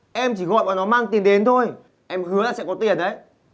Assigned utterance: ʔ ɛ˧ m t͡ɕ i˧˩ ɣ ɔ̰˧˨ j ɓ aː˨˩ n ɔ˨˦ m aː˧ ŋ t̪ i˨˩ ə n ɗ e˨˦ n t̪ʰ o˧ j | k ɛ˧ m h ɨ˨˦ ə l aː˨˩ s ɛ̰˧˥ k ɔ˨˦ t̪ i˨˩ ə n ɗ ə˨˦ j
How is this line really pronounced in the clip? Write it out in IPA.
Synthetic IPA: ʔ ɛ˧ m t͡ɕ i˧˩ ɣ ɔ̰˧˨ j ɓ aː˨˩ n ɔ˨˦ m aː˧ ŋ t̪ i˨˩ ə n ɗ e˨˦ n t̪ʰ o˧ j | ʔ ɛ˧ m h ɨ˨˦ ə l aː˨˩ s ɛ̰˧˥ k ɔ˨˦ t̪ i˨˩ ə n ɗ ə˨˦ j